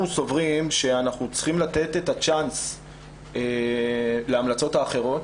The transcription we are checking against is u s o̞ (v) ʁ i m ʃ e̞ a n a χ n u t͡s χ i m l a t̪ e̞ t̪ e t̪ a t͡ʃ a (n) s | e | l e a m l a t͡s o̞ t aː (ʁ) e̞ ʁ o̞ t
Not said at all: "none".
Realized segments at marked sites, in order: v, n, χ

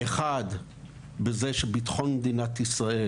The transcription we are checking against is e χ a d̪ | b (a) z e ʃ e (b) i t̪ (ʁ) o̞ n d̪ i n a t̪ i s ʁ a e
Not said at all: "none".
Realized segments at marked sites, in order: e, b, χ

